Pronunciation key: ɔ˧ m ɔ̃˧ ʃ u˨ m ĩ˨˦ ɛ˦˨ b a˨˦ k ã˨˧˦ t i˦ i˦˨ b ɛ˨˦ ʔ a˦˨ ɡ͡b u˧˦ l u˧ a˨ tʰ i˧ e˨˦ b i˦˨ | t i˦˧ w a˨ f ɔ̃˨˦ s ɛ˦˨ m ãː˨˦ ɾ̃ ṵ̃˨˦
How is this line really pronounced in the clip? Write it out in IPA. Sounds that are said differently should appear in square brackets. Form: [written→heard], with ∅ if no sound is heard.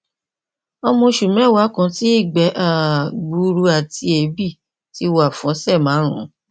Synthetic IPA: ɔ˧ m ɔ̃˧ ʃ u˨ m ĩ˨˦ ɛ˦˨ [b→w] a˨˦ k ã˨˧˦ t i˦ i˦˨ [b→ɡ͡b] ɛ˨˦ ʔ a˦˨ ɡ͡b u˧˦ [l→ɾ] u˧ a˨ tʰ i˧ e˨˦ b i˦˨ | t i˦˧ w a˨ f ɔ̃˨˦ s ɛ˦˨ m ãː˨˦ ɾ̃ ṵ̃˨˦